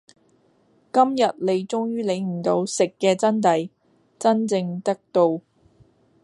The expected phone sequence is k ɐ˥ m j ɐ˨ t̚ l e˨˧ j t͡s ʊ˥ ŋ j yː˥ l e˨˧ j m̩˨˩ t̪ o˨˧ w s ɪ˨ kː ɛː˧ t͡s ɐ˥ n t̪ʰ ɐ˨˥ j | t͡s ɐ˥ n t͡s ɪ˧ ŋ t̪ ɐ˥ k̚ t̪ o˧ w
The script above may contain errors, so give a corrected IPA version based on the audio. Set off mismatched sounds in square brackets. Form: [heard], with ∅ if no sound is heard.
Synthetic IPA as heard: k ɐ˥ m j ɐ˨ t̚ l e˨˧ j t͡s ʊ˥ ŋ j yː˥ l e˨˧ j m̩˨˩ t̪ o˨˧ w s ɪ˨ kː ɛː˧ t͡s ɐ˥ n [t̪] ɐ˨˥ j | t͡s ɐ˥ n t͡s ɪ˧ ŋ t̪ ɐ˥ k̚ t̪ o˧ w